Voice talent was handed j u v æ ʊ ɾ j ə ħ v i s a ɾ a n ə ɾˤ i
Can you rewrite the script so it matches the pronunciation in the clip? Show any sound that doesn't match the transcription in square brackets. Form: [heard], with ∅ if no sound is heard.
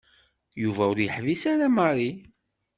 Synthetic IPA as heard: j u v æ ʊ ɾ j ə ħ v i s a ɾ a [m] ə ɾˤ i